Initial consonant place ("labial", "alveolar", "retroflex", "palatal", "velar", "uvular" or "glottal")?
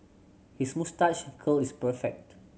glottal